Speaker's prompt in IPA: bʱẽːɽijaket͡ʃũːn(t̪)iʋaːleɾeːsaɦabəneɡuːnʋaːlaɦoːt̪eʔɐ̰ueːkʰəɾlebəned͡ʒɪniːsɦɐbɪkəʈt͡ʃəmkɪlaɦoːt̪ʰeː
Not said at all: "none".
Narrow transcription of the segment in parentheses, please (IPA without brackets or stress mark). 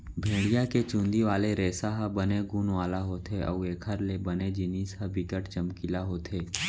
d̪